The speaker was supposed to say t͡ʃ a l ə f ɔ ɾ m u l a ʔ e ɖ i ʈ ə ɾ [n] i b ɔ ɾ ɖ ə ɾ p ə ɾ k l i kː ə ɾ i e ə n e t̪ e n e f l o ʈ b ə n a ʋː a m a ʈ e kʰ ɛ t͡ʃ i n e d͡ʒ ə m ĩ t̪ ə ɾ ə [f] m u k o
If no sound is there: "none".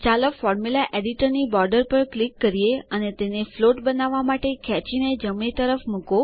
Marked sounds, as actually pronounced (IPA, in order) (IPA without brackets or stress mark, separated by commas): n, f